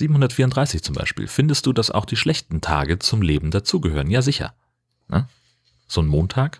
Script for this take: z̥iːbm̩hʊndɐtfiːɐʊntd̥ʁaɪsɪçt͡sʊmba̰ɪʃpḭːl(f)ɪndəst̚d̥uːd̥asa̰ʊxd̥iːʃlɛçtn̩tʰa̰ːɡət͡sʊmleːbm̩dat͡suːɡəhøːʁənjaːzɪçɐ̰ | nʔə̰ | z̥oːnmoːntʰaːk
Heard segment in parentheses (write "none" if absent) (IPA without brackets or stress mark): f